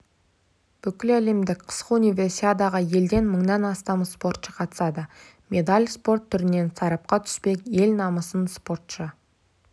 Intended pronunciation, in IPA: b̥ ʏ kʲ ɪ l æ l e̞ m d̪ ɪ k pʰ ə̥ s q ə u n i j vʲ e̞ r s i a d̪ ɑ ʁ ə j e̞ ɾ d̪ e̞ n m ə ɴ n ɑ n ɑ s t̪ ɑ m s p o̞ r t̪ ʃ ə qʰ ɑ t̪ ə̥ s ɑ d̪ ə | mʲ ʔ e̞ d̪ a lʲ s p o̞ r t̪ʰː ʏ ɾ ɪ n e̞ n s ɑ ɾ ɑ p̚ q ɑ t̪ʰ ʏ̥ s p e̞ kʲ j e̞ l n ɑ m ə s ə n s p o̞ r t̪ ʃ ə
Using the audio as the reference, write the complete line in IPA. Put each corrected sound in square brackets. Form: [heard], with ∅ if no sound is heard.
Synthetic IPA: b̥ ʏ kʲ ɪ l æ l e̞ m d̪ ɪ k [qʰ] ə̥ s q ə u n i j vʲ e̞ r s i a d̪ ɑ ʁ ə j e̞ [l] d̪ e̞ n m ə ɴ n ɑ n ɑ s t̪ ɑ m s p o̞ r t̪ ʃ ə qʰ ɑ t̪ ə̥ s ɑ d̪ ə | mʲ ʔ e̞ d̪ a lʲ s p o̞ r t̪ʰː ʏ ɾ ɪ n e̞ n s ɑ ɾ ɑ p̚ q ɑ t̪ʰ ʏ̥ s p e̞ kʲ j e̞ l n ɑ m ə s ə n s p o̞ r t̪ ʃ ə

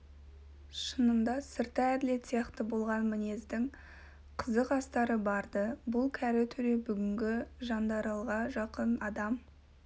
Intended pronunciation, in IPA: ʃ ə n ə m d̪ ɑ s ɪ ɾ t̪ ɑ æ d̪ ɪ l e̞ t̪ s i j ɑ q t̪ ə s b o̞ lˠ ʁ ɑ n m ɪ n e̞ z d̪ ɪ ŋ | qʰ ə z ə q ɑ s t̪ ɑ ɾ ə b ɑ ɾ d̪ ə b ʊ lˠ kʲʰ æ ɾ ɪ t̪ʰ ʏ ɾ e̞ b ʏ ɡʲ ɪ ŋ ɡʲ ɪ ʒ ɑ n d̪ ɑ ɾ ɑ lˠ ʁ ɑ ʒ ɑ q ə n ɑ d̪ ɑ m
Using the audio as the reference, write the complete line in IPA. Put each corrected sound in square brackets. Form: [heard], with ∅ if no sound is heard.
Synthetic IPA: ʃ ə n ə m d̪ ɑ s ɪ ɾ t̪ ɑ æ d̪ ɪ l e̞ t̪ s i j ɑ q t̪ ə [∅] b o̞ lˠ ʁ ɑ n m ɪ n e̞ z d̪ ɪ ŋ | qʰ ə z ə q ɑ s t̪ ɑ ɾ ə b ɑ ɾ d̪ ə b ʊ lˠ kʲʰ æ ɾ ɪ t̪ʰ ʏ ɾ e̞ b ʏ ɡʲ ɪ ŋ ɡʲ ɪ ʒ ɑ n d̪ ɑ ɾ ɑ lˠ ʁ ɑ ʒ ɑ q ə n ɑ d̪ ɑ m

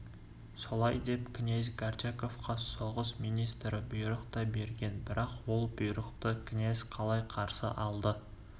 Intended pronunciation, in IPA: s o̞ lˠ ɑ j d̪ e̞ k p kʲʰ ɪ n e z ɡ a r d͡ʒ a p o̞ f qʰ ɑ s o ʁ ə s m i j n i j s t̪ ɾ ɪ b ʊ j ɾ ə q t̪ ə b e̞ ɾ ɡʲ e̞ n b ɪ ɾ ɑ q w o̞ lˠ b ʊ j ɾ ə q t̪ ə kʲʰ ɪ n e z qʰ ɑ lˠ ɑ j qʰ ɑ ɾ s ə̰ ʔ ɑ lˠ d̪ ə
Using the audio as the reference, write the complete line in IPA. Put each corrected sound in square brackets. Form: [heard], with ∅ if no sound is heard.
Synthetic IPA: s o̞ lˠ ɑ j d̪ e̞ [∅] p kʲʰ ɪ n e z ɡ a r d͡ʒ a [k] o̞ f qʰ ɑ s o ʁ ə s m i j n i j s t̪ ɾ ɪ b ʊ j ɾ ə q t̪ [ɑ] b e̞ ɾ ɡʲ e̞ n b ɪ ɾ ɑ q w o̞ lˠ b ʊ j ɾ ə q t̪ ə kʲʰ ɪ n e z qʰ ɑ lˠ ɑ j qʰ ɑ ɾ s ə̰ ʔ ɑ lˠ d̪ ə

